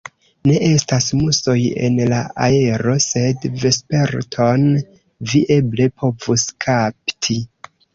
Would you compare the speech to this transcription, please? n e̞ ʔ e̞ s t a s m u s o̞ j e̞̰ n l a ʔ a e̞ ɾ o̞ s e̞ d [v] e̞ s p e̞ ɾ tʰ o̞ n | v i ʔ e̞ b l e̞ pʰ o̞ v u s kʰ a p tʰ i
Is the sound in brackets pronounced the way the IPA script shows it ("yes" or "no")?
yes